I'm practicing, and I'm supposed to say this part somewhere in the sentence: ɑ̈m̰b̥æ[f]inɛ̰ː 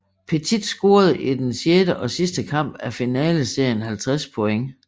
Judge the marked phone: correct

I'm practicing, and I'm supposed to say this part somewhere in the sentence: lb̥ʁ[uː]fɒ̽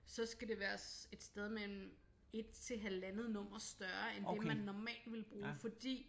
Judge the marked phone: correct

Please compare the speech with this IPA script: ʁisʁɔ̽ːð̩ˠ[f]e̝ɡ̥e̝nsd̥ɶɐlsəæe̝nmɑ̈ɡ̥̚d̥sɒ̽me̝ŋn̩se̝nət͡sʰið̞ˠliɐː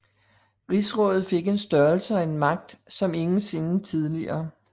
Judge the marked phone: correct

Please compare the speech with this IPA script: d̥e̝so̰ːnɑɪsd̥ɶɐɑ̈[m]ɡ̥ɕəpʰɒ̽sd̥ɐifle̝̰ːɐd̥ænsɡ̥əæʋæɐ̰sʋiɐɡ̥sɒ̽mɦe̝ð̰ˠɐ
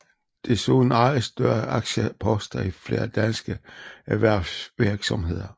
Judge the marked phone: incorrect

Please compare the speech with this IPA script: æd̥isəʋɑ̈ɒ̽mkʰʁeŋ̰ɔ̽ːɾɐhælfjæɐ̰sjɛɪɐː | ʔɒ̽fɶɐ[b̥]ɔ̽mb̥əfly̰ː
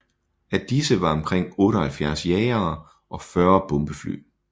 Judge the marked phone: correct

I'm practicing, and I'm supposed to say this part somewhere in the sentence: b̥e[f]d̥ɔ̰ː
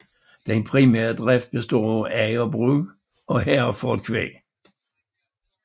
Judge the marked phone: incorrect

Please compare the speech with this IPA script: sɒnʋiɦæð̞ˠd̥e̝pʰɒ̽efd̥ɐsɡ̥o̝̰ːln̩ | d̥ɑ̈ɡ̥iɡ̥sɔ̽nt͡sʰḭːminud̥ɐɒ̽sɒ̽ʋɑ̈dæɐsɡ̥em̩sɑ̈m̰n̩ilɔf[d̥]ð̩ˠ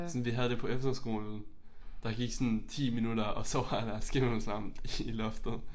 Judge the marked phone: correct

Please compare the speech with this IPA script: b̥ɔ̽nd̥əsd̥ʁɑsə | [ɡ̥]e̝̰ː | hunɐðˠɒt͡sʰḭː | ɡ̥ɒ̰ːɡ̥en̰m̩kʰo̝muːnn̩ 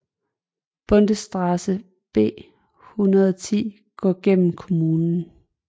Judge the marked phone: incorrect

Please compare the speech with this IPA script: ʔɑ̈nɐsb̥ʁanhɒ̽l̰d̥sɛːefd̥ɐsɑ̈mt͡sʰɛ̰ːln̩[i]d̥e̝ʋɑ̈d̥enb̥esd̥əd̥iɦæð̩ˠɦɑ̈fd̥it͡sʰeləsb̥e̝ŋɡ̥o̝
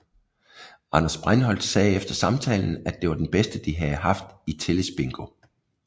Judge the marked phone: incorrect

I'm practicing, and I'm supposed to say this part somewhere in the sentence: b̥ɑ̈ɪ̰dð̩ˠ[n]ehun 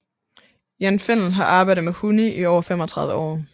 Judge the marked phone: incorrect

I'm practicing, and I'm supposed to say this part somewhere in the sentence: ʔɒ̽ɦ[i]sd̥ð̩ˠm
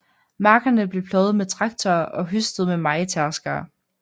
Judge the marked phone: incorrect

